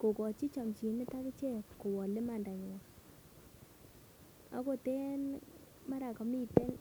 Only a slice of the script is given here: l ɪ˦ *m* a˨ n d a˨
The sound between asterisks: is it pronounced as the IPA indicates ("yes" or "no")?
yes